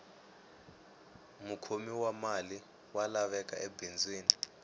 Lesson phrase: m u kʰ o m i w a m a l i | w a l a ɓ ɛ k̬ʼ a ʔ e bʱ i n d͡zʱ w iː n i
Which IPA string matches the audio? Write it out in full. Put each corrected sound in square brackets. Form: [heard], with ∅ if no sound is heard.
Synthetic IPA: m u kʰ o m i w a m a l i | w a l a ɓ ɛ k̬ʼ a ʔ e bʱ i n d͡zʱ w iː n i

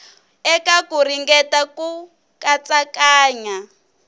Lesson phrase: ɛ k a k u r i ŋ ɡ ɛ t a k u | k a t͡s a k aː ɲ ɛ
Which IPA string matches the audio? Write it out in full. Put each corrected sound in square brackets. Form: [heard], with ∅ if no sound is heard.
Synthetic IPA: ɛ k a k u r i ŋ ɡ ɛ t a k u | k a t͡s a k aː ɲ [a]

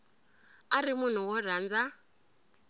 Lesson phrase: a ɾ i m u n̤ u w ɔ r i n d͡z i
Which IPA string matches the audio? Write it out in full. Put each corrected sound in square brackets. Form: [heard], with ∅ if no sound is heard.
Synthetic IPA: a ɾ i m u n̤ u w ɔ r [a] n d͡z [a]

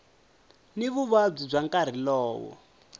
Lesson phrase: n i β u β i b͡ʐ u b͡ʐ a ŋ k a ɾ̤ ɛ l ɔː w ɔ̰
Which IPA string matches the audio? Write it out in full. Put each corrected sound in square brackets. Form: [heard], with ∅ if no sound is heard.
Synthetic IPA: n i β u β [a] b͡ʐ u b͡ʐ a ŋ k a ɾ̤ [i] l ɔː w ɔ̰

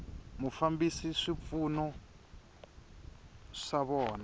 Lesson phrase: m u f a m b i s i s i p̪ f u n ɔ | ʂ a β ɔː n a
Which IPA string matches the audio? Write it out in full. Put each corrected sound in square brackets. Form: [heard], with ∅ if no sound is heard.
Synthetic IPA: m u f a m b i s i [ʂ] i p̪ f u n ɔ | ʂ a β ɔː n a

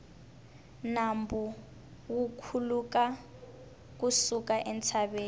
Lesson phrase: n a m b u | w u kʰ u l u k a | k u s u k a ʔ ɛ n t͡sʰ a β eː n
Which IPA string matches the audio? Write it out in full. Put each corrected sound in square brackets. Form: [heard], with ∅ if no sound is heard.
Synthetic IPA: n a m b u | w u kʰ u l u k a | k u s u k a ʔ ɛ n t͡sʰ a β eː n

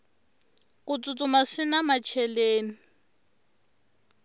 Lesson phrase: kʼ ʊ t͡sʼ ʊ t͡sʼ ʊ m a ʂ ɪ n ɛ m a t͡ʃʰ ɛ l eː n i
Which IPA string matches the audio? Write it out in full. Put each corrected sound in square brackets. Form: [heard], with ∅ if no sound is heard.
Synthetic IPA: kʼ ʊ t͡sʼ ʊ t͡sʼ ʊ m a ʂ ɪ n [a] m a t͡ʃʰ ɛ l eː n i

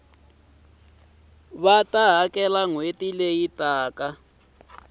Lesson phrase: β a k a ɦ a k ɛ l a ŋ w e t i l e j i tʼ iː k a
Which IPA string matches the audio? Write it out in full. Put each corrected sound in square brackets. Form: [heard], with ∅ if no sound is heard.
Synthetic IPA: β a [t] a ɦ a k ɛ l a ŋ w e t i l e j i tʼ [aː] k a

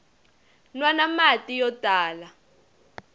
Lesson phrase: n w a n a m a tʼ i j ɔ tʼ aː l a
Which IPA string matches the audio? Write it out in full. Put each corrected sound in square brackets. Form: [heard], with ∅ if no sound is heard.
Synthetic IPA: n w a n a m a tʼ i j ɔ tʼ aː l a

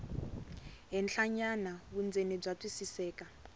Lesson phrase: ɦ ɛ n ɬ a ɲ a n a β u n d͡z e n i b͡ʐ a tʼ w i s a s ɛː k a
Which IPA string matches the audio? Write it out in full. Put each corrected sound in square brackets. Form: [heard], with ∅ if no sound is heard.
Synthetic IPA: ɦ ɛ n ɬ a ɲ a n a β u n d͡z e n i b͡ʐ a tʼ w i s [i] s ɛː k a

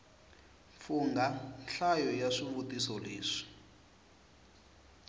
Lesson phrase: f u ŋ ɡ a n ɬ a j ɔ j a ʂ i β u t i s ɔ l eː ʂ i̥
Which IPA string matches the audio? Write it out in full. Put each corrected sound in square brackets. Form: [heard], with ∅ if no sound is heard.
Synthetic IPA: f u ŋ ɡ a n ɬ a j ɔ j a ʂ i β u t i s ɔ l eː ʂ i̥

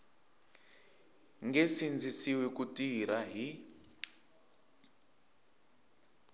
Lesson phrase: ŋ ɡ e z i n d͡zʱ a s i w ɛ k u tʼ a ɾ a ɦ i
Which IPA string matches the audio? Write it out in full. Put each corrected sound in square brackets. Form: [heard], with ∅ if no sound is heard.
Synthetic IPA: ŋ ɡ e [s] i n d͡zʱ [i] s i w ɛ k u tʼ [i] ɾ a ɦ i

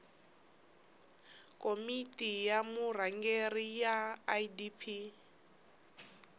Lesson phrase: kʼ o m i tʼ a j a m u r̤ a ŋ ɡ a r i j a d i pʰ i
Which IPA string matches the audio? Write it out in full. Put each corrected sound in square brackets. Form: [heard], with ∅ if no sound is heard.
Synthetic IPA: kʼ o m i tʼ [i] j a m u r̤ a ŋ ɡ [e] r i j a d i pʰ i

